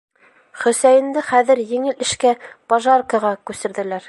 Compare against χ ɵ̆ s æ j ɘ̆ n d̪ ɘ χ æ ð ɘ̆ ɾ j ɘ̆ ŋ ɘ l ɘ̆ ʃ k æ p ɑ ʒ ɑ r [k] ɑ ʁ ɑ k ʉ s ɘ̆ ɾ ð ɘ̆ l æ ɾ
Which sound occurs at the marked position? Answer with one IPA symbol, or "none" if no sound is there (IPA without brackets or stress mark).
k